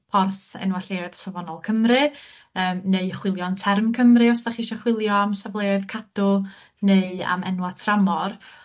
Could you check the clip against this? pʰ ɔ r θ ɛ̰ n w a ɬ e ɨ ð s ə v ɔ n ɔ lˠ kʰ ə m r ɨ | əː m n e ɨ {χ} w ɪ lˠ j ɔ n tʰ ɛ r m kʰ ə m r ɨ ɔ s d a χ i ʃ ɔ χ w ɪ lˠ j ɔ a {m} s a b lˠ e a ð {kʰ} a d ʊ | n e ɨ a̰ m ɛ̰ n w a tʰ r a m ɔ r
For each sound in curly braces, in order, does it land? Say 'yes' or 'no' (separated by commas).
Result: yes, yes, yes